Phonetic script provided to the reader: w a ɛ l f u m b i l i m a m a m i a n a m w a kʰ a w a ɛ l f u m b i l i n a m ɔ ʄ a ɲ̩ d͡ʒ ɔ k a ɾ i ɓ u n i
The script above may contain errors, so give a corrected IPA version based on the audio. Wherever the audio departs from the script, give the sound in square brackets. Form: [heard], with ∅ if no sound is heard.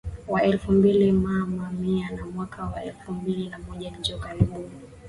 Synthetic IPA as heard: w a ɛ l f u m b i l i m a m a m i a n a m w a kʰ a w a ɛ l f u m b i l i n a m ɔ ʄ a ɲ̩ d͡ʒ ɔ k a ɾ i ɓ u n i